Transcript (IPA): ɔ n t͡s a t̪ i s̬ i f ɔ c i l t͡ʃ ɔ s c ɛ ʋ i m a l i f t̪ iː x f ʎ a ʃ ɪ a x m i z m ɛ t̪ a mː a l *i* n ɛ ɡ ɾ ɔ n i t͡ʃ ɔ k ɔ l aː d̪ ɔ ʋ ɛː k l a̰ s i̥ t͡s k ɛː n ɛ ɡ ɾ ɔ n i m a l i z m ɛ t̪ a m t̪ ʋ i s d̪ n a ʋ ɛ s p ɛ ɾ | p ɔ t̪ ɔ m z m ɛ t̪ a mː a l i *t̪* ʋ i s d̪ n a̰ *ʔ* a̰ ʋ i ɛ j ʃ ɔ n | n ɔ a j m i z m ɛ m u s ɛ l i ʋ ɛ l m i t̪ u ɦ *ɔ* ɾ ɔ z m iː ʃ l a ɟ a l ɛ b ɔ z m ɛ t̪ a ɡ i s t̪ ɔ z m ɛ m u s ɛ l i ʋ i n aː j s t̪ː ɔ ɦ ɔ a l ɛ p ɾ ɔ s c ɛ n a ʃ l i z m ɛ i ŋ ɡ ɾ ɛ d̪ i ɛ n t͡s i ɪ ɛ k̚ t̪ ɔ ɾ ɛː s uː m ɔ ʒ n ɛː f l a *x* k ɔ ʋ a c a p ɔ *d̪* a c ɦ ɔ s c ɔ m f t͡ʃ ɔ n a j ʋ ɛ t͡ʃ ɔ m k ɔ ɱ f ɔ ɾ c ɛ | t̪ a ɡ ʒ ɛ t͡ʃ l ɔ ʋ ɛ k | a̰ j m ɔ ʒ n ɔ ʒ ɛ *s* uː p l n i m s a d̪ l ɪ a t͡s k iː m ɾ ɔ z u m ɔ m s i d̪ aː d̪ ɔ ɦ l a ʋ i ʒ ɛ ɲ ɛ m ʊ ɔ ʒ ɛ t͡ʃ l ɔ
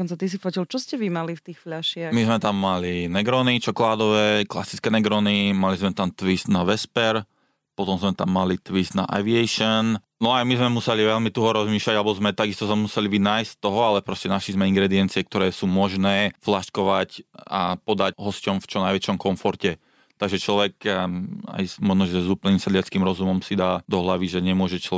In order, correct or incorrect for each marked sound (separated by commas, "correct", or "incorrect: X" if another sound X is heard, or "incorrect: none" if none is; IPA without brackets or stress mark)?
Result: correct, correct, correct, correct, incorrect: ʃ, correct, incorrect: z